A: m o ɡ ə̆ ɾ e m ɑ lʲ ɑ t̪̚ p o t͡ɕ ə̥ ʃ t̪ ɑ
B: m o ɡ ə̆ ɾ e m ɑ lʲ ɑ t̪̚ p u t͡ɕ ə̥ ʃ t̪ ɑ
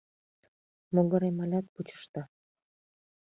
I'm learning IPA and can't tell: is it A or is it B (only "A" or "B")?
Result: B